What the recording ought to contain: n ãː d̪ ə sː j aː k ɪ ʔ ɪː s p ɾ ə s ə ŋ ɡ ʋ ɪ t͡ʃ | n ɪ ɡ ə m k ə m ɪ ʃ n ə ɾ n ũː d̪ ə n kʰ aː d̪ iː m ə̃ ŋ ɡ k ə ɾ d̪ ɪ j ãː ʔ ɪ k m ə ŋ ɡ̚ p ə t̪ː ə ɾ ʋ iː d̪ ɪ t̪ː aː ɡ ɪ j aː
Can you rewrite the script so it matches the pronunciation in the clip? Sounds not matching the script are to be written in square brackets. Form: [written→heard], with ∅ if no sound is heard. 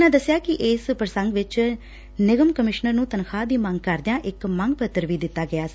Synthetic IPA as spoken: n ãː d̪ ə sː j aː k ɪ ʔ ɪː s p ɾ ə s ə ŋ ɡ ʋ ɪ t͡ʃ | n ɪ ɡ ə m k ə m ɪ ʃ n ə ɾ n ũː [d̪→t̪] ə n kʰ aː d̪ iː m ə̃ ŋ ɡ k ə ɾ d̪ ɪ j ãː ʔ ɪ k m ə ŋ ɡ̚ p ə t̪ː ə ɾ ʋ iː d̪ ɪ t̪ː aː ɡ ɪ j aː